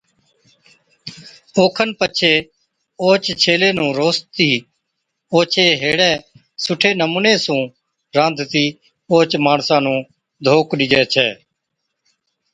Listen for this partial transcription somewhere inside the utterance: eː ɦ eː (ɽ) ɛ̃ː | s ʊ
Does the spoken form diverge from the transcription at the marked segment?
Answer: no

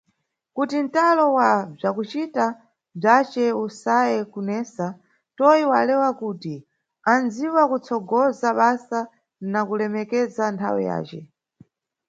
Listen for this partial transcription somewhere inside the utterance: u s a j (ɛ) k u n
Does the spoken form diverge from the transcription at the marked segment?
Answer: no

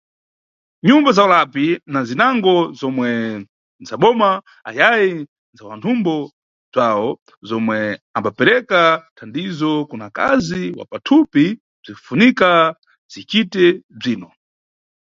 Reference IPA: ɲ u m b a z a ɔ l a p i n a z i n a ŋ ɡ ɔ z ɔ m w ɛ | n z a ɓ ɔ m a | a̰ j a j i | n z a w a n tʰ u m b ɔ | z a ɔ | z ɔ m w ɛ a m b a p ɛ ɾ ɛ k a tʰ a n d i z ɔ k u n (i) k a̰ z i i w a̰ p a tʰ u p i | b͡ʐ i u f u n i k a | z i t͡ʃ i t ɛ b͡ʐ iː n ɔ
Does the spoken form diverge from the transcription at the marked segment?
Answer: yes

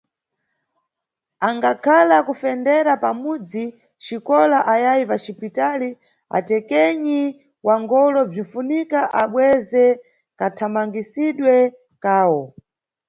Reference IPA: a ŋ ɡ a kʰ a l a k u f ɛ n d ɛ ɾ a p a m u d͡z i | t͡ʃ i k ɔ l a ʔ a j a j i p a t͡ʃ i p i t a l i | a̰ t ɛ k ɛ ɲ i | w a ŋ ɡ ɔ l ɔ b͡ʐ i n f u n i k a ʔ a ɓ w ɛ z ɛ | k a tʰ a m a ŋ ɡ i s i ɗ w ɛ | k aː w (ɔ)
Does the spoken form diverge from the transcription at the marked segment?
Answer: no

